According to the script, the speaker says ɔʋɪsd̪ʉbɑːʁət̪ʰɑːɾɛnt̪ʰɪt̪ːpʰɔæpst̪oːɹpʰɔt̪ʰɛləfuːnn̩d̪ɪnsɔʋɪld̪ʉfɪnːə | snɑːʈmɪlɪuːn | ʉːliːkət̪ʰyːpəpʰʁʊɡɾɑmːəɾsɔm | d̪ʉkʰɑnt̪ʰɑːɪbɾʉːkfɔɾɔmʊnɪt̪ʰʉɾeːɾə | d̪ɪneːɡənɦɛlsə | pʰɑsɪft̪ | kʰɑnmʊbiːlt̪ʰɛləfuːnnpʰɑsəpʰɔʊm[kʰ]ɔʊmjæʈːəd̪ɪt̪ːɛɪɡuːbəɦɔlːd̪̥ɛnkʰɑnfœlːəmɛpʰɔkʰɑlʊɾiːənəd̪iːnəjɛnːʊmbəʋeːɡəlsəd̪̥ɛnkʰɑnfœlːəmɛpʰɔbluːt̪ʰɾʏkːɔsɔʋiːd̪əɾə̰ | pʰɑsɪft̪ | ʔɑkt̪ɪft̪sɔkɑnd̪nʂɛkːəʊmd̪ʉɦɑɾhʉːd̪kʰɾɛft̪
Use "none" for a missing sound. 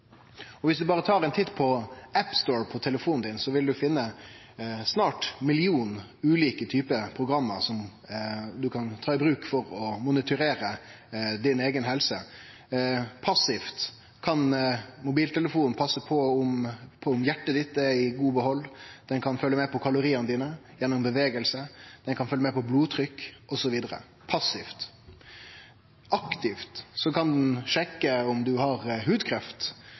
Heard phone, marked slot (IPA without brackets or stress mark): pʰ